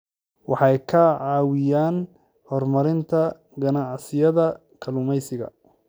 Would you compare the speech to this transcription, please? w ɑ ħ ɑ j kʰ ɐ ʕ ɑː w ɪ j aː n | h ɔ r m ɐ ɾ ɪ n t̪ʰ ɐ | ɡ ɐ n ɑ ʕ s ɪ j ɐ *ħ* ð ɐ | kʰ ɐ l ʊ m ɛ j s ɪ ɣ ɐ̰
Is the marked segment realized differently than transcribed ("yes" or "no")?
yes